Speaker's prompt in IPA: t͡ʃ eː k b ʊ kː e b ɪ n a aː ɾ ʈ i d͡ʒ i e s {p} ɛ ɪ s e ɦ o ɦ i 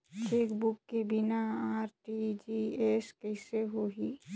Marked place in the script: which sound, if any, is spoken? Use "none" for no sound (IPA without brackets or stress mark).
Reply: k